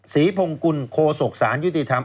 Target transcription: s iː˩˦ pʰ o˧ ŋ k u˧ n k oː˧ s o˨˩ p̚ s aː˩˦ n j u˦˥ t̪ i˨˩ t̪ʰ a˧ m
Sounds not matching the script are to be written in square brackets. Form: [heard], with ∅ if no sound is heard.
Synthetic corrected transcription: s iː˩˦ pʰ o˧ ŋ k u˧ n [kʰ] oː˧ s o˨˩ [k̚] s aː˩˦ n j u˦˥ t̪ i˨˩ t̪ʰ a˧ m